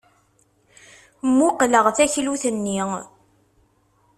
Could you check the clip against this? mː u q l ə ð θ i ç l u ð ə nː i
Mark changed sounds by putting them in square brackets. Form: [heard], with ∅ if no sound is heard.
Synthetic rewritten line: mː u q l ə [ʁ] θ [æ] ç l u [θ] ə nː i